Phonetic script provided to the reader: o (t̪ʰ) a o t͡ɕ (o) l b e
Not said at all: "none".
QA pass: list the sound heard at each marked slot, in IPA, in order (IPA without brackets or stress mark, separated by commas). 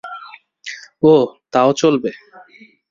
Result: t̪, o